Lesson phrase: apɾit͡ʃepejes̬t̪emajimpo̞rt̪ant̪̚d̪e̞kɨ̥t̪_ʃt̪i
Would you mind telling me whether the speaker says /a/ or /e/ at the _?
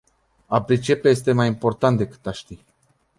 a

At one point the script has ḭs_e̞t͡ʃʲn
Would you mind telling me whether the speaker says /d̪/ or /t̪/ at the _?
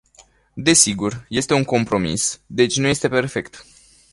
d̪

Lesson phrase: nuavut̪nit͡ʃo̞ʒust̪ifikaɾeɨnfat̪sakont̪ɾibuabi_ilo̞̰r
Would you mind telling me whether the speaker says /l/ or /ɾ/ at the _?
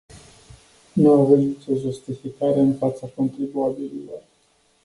l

